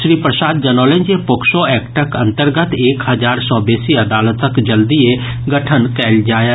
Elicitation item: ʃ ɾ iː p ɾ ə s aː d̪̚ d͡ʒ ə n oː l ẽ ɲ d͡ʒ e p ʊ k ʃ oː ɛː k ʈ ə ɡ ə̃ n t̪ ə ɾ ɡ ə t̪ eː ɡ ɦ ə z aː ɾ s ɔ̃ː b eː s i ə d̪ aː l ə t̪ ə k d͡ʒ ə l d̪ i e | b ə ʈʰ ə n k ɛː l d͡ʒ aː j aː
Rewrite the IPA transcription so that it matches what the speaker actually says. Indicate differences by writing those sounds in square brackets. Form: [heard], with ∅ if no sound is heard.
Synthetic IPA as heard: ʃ ɾ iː p ɾ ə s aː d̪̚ d͡ʒ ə n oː l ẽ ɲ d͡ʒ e p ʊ k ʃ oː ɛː k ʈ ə [k] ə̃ n t̪ ə ɾ ɡ ə t̪ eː [k] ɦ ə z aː ɾ s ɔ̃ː b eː s i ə d̪ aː l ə t̪ ə k d͡ʒ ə l d̪ i e | [ɡ] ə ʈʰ ə n k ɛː l d͡ʒ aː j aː

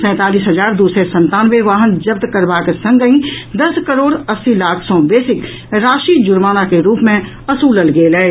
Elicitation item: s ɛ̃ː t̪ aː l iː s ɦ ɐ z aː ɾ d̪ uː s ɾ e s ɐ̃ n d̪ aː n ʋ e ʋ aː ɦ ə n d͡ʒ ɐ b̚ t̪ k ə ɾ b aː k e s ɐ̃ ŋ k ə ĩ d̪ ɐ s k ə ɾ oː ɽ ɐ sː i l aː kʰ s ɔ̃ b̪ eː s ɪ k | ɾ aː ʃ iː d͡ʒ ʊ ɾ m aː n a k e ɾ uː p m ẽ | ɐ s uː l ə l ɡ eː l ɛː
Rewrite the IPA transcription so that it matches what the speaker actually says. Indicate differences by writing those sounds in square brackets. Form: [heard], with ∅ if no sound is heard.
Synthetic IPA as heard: s ɛ̃ː t̪ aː l iː s ɦ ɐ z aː ɾ d̪ uː s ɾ e s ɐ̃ n [t̪] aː n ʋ e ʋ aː ɦ ə n d͡ʒ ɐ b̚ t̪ k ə ɾ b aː k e s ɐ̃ ŋ [ɡ] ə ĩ d̪ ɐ s k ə ɾ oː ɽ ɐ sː i l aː kʰ s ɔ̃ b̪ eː s ɪ k | ɾ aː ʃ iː d͡ʒ ʊ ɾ m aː n a k e ɾ uː p m ẽ | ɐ s uː l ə l ɡ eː l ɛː

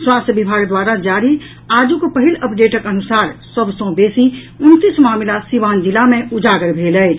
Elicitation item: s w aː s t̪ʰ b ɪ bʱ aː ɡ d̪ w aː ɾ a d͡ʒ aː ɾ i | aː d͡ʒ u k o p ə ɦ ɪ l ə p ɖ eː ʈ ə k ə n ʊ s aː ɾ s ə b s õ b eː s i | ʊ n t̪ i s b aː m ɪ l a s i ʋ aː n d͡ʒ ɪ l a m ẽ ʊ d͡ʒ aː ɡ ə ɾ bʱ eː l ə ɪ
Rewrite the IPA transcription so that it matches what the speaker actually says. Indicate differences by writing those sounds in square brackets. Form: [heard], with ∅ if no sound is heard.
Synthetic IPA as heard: s w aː s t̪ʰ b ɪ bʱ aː ɡ d̪ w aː ɾ a d͡ʒ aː ɾ i | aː d͡ʒ u k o p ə ɦ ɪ l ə p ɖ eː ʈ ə k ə n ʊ s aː ɾ s ə b s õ b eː s i | ʊ n t̪ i s [m] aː m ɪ l a s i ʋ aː n d͡ʒ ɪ l a m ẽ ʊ d͡ʒ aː ɡ ə ɾ bʱ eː l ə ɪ

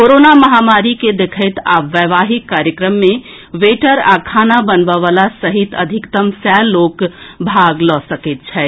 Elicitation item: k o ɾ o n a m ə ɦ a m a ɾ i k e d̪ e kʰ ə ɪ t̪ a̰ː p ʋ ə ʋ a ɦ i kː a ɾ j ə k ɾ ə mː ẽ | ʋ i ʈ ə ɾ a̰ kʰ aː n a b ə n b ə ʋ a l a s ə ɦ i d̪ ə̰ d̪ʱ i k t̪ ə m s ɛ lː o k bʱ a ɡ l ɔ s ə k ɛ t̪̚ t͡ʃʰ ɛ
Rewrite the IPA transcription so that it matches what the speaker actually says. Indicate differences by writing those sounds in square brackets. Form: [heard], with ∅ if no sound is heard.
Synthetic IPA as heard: k o ɾ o n a m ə ɦ a m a ɾ i k e d̪ e kʰ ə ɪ t̪ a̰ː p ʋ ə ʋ a ɦ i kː a ɾ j ə k ɾ ə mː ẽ | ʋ [e] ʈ ə ɾ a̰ kʰ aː n a b ə n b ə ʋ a l a s ə ɦ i [t̪] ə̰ d̪ʱ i k t̪ ə m s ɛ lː o k bʱ a ɡ l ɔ s ə k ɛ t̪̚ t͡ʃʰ ɛ

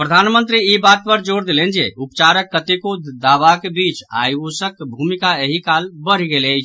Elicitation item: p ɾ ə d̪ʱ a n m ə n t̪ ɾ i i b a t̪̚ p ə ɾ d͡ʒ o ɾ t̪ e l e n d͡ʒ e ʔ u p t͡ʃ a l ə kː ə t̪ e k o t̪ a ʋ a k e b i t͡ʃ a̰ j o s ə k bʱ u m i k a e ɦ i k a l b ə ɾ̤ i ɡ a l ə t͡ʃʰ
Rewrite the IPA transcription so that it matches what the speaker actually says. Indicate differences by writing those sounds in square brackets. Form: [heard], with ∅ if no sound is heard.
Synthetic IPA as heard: p ɾ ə d̪ʱ a n m ə n t̪ ɾ i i b a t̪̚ p ə ɾ d͡ʒ o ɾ [d̪] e l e n d͡ʒ e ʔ u p t͡ʃ a [ɾ] ə kː ə t̪ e k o [d̪] a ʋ a k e b i t͡ʃ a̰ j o s ə k bʱ u m i k a e ɦ i k a l b ə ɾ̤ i ɡ [e] l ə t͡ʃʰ

